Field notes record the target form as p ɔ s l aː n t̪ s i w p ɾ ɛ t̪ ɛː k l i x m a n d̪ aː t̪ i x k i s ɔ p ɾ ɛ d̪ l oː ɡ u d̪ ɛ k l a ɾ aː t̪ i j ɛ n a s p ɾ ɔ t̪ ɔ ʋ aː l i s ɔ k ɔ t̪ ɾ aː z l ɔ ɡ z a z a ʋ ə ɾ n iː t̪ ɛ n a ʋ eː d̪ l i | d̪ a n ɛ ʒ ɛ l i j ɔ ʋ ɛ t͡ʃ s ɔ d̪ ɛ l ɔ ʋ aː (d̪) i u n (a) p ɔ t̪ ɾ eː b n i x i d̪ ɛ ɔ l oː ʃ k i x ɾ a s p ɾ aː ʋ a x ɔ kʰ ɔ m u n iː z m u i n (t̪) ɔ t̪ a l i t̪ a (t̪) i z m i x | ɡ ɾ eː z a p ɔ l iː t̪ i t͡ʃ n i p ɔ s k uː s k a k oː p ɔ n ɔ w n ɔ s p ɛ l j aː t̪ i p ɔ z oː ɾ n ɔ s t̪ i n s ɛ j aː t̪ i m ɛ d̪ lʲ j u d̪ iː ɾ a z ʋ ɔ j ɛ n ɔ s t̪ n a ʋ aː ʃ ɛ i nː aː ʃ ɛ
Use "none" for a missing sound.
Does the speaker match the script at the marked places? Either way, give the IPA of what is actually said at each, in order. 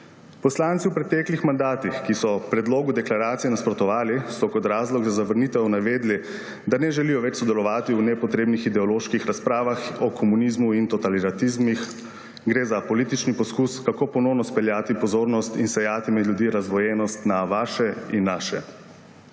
t̪, ɛ, t̪, t̪

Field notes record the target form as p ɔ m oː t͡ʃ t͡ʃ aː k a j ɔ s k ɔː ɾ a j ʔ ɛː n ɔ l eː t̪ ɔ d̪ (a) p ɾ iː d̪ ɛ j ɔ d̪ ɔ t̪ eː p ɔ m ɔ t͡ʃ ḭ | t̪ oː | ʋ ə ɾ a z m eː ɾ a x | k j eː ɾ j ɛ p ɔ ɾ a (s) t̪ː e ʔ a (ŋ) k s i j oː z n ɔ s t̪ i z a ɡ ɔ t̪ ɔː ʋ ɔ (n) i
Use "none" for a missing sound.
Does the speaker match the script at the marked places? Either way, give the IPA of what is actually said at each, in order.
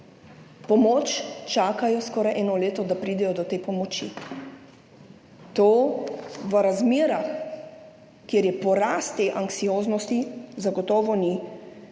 a, s, ŋ, n

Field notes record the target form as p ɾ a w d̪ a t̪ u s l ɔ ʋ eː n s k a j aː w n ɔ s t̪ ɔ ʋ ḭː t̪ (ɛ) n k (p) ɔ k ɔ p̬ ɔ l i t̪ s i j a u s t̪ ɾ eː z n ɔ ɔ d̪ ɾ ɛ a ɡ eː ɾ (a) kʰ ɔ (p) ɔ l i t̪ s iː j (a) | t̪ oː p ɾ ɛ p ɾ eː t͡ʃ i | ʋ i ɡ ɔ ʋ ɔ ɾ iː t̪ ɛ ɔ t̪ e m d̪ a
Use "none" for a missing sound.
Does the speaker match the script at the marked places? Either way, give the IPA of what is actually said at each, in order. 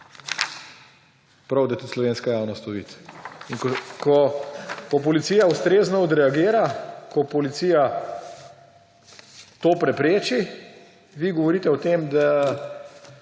i, k, a, p, a

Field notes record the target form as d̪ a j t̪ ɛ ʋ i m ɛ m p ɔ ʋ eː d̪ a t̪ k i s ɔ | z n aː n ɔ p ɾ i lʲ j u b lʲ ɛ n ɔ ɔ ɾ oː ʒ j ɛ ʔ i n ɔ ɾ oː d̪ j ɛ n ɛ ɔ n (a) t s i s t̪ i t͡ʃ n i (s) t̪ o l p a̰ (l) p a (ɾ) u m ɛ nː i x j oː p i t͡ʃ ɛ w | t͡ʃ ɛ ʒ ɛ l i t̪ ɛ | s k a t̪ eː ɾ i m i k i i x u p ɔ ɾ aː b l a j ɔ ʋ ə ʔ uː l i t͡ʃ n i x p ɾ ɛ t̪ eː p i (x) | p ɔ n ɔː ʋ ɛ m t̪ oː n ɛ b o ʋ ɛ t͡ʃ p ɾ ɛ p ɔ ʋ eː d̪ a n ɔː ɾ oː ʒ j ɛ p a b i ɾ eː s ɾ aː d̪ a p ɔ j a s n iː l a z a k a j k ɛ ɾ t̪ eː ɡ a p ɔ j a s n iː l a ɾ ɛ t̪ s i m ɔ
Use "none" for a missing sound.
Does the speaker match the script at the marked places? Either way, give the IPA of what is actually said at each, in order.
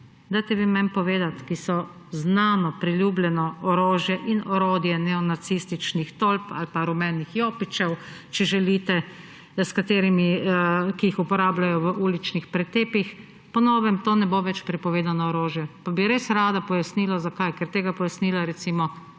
a, x, l, ɾ, x

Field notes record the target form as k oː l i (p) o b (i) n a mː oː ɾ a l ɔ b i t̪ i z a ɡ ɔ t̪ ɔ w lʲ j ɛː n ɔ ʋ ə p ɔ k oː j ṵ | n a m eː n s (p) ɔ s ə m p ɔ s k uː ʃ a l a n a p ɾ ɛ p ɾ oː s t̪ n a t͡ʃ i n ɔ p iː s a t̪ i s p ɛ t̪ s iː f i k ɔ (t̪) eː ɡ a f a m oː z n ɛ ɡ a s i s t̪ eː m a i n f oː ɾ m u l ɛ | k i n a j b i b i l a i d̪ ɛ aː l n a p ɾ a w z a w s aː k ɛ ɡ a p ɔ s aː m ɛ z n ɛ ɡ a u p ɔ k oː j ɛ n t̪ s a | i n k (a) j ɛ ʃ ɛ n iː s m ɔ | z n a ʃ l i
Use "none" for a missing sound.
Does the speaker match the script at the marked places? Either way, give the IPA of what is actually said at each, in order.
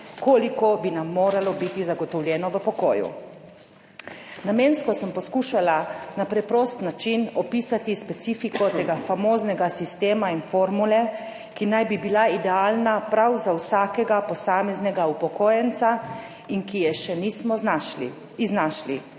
k, i, k, t̪, i

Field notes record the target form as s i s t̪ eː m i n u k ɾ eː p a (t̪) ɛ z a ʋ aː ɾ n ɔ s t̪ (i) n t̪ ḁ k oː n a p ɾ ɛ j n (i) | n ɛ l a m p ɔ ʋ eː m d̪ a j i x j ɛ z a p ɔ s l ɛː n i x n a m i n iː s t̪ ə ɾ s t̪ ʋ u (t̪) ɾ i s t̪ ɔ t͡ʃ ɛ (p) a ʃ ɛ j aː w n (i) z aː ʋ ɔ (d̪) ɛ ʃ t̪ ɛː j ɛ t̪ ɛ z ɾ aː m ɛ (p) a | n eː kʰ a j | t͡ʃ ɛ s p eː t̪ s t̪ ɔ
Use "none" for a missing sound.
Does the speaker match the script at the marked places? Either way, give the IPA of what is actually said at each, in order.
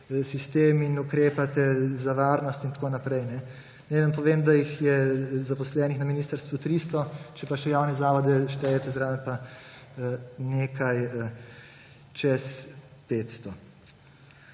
t̪, i, ɛ, t̪, p, ɛ, d̪, p

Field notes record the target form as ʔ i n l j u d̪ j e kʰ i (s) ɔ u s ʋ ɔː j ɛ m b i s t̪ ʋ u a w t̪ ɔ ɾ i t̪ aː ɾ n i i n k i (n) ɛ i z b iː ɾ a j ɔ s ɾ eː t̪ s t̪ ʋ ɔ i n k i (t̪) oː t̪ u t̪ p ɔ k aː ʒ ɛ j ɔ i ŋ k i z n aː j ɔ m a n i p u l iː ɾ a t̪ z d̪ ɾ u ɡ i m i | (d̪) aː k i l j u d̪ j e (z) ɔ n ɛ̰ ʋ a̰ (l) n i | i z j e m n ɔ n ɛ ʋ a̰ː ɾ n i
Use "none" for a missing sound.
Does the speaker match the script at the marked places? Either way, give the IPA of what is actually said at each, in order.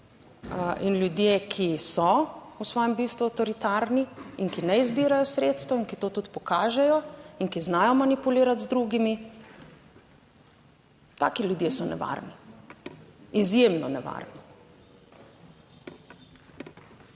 s, n, t̪, t̪, s, ɾ

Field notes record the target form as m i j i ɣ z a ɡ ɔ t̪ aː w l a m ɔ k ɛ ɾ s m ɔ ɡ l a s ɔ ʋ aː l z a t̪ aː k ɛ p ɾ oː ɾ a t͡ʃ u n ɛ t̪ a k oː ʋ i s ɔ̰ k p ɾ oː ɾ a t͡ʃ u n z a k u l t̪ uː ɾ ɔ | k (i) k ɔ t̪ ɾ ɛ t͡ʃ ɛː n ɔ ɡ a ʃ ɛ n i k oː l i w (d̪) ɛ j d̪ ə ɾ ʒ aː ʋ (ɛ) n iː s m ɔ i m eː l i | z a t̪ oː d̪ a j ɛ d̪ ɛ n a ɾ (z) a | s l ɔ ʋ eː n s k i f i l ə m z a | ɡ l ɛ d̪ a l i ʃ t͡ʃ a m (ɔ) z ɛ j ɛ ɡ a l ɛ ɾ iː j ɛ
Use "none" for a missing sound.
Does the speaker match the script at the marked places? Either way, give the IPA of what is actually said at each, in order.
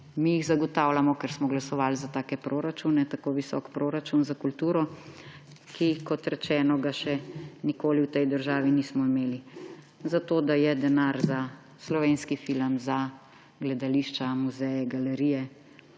i, t̪, i, z, u

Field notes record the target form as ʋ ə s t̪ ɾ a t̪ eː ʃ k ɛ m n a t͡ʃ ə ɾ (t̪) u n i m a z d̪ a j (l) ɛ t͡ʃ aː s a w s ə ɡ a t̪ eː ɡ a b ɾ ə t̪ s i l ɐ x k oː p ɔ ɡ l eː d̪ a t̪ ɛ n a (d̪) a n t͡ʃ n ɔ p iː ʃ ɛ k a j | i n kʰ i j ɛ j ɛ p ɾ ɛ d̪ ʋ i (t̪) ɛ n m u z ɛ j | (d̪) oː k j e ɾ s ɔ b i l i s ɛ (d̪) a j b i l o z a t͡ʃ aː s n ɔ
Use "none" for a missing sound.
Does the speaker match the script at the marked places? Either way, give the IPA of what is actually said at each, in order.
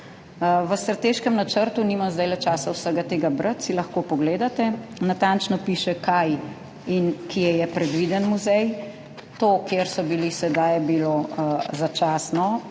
t̪, l, t̪, d̪, t̪, d̪

